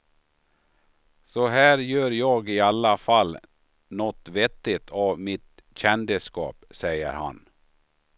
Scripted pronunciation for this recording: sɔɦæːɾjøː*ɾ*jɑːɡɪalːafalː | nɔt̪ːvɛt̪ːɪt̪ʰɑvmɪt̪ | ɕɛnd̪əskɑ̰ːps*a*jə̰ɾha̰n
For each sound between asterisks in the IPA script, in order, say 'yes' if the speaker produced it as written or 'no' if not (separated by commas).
yes, no